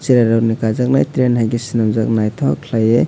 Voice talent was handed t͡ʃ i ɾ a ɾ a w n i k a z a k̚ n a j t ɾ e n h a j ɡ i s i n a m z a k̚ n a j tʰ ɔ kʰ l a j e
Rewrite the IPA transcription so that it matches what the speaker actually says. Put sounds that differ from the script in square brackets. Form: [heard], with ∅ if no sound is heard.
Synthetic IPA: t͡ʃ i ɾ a ɾ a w n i k a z a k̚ n a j t ɾ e n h a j ɡ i s i n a m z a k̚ n a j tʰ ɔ kʰ l a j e